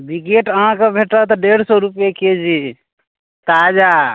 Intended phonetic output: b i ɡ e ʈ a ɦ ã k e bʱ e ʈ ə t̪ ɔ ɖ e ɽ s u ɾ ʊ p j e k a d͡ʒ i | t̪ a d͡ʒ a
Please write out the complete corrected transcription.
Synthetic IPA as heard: b i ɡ e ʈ ə ɦ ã k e bʱ e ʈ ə t̪ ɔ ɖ e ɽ s ɔ ɾ u p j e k e d͡ʒ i | t̪ a d͡ʒ a